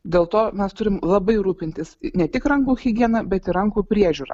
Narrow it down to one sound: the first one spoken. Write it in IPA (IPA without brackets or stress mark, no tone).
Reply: d̪ʲ